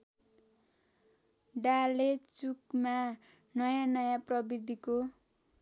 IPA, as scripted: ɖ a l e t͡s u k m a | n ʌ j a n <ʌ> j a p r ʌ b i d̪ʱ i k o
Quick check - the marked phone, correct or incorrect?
correct